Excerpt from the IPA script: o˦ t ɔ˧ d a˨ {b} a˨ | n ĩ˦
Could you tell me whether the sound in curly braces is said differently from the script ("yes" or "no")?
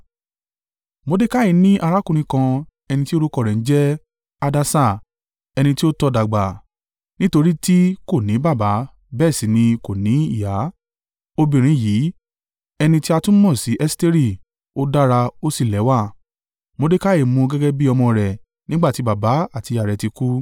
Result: yes